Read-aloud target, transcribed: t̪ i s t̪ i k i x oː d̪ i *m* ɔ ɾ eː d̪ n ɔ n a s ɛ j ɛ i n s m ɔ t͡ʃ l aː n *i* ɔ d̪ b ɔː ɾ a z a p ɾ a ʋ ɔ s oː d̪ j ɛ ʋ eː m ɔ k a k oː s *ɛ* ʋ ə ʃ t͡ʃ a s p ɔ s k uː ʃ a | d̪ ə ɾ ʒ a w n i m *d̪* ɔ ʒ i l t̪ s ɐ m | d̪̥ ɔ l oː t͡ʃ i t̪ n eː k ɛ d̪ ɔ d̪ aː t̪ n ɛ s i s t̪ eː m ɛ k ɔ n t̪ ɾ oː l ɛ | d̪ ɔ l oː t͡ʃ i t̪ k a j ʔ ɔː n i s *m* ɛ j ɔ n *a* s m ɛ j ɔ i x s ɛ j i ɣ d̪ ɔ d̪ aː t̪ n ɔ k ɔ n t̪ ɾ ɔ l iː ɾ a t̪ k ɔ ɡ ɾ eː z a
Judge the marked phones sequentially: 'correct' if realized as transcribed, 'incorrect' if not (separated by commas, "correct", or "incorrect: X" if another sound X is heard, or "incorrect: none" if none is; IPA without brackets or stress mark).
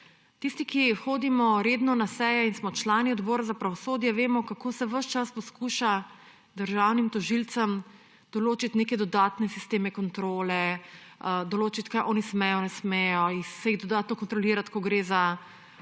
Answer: correct, correct, correct, incorrect: t̪, correct, incorrect: ɛ